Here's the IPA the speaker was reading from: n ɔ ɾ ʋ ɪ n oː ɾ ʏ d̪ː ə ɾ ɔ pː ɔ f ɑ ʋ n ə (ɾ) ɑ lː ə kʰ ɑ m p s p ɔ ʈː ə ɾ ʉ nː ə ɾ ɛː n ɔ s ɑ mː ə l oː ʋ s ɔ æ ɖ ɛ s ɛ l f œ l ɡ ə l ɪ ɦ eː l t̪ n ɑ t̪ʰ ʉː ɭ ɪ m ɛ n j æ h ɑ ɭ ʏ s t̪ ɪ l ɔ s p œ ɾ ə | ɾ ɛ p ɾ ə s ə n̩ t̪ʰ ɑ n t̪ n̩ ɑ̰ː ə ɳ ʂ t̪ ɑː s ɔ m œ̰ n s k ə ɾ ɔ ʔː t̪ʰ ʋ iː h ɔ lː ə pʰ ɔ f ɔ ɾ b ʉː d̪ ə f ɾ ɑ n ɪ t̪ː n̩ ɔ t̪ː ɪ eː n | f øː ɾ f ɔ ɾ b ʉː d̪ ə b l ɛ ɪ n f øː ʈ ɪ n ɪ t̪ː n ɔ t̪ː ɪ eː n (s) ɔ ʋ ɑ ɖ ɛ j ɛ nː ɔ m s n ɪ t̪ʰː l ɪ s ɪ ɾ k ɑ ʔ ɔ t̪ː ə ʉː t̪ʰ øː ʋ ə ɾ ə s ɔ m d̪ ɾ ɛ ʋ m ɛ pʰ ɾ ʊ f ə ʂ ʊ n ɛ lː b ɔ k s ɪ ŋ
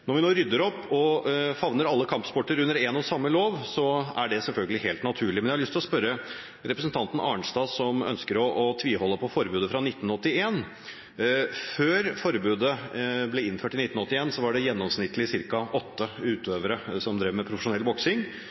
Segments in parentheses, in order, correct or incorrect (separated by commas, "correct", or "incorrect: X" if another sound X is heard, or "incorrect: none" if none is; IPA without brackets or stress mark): correct, correct